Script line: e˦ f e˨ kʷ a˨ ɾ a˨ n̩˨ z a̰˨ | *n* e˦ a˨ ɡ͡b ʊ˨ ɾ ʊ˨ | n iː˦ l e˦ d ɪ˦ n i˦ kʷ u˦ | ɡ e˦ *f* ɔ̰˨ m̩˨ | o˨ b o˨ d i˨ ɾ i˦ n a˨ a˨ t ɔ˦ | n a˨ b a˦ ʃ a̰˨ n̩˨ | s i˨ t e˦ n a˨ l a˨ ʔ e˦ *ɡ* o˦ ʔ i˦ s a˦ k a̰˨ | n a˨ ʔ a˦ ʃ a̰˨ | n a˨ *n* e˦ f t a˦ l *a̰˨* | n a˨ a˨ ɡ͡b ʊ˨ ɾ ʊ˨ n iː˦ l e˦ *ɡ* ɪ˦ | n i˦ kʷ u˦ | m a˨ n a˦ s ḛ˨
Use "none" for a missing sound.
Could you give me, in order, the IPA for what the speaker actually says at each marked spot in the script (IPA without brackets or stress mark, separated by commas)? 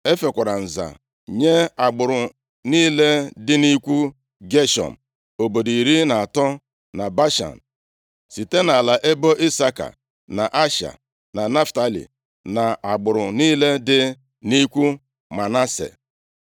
ɲ, ʃ, b, n, ḭ˨, d